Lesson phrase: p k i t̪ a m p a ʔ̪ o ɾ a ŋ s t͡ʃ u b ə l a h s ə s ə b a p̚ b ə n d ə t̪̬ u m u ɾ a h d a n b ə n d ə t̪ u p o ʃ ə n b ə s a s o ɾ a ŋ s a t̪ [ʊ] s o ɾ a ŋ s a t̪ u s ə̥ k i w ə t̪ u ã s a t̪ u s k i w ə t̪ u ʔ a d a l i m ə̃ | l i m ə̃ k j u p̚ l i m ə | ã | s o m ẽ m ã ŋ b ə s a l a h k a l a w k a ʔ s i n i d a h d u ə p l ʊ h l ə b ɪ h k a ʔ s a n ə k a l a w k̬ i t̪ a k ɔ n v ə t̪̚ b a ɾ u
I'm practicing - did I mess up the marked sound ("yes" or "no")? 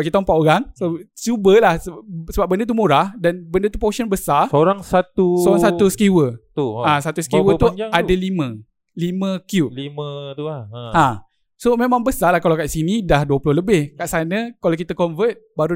yes